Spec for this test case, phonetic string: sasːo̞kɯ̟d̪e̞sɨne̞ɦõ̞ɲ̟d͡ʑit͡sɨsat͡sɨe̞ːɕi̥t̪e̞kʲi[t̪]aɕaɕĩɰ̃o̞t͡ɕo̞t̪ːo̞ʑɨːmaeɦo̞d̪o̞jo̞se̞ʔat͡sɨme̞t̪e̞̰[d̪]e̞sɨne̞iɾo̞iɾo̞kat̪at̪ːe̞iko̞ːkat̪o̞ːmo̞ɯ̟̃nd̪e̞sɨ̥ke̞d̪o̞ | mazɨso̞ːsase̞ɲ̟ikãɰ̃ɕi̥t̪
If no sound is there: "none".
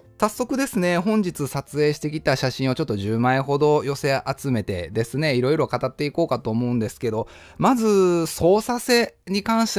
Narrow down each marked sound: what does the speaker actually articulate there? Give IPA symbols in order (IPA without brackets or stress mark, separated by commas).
t̪, d̪